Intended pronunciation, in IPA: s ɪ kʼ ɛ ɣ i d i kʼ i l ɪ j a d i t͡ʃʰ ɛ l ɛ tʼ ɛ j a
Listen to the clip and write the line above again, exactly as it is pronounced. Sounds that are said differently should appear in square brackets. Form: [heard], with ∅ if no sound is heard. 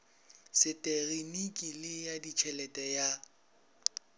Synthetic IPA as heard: s ɪ [tʼ] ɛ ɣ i [n] i kʼ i l ɪ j a d i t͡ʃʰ ɛ l ɛ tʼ ɛ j a